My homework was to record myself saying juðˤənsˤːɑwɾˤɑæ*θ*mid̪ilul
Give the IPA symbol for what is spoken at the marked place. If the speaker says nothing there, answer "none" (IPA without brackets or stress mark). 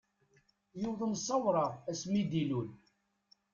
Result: s